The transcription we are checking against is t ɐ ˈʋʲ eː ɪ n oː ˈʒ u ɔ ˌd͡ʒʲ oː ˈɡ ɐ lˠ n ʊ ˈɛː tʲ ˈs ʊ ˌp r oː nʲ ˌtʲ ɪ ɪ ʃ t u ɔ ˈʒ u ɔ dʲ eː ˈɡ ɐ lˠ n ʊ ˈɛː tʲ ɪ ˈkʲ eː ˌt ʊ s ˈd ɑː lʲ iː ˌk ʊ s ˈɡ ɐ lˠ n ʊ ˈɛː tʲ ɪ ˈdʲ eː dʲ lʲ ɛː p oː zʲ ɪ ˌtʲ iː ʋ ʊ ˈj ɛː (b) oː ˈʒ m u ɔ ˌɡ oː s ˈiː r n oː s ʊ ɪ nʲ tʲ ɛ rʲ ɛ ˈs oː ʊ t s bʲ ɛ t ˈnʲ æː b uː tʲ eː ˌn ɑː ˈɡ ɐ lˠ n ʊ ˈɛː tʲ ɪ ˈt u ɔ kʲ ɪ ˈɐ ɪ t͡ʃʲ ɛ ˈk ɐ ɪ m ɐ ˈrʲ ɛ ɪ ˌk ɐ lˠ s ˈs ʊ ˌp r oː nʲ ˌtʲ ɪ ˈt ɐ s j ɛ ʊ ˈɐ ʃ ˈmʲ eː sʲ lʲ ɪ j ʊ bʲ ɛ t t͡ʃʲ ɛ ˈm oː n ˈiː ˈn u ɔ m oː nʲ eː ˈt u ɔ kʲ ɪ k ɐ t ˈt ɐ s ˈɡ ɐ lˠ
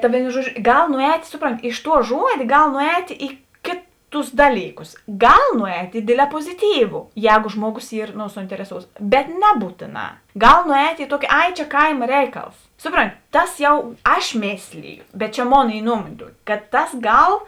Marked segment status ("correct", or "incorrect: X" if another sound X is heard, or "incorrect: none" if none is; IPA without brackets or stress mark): incorrect: ɡ